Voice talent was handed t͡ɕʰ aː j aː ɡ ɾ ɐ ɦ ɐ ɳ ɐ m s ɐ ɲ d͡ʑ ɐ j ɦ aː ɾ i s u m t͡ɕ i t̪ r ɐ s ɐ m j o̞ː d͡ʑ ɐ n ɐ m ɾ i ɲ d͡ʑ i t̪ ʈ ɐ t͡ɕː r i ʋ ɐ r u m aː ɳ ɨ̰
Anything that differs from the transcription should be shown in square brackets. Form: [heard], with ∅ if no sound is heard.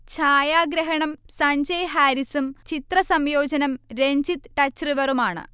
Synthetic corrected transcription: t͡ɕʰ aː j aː ɡ ɾ ɐ ɦ ɐ ɳ ɐ m s ɐ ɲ d͡ʑ ɐ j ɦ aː ɾ i s u m t͡ɕ i t̪ r ɐ s ɐ m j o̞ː d͡ʑ ɐ n ɐ m ɾ [e] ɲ d͡ʑ i t̪ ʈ ɐ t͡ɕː r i ʋ ɐ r u m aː ɳ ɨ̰